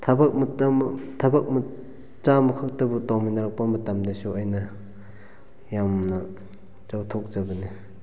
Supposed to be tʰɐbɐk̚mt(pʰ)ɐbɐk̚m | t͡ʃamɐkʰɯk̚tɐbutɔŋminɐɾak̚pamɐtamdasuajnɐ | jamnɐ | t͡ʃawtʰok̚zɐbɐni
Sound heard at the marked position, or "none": tʰ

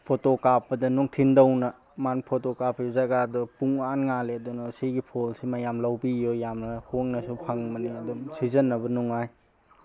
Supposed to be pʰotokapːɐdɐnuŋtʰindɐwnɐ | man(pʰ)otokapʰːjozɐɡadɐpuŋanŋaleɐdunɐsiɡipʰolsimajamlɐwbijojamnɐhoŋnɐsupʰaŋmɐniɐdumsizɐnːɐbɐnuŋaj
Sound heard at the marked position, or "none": pʰ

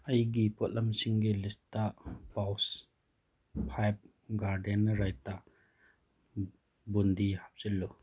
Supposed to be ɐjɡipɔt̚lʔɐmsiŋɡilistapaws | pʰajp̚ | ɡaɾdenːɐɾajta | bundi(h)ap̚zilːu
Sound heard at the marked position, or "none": h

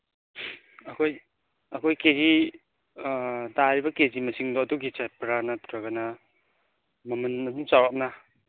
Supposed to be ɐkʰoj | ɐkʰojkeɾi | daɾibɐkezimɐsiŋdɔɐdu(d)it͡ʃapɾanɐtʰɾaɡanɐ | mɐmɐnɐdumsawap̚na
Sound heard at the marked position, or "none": ɡ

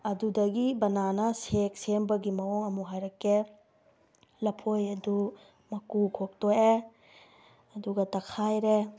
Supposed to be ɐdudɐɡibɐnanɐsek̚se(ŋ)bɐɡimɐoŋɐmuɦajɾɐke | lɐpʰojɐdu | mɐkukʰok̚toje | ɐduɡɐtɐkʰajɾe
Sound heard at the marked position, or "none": m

